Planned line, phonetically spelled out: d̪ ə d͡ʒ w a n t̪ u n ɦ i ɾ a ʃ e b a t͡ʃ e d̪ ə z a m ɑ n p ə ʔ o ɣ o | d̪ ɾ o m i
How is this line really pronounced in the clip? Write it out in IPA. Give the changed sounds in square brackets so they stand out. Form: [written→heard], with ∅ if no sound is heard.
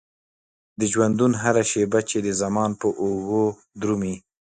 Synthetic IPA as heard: d̪ ə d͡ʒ w a n [t̪→d̪] u n ɦ [i→a] ɾ a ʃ e b a t͡ʃ e d̪ ə z a m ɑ n p ə ʔ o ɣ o | d̪ ɾ [o→u] m i